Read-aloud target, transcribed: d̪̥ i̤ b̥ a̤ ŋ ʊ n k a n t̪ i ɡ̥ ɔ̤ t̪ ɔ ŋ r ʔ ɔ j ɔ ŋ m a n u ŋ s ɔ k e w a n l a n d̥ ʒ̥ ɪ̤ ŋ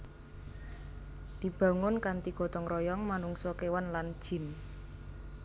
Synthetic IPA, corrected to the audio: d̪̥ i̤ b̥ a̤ ŋ ʊ n k a n t̪ i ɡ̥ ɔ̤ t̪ ɔ ŋ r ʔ ɔ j ɔ ŋ m a n u ŋ s ɔ k e w a n l a n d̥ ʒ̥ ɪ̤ n